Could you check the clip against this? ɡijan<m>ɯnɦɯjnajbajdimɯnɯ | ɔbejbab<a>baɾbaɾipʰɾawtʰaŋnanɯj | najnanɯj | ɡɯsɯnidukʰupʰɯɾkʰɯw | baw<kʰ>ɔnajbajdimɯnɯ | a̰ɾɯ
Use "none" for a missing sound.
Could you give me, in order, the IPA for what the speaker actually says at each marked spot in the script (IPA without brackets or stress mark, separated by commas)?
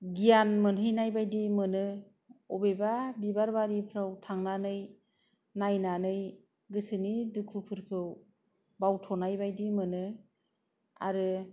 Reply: m, i, tʰ